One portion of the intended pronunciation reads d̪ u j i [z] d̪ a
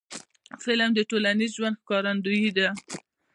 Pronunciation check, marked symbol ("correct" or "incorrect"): incorrect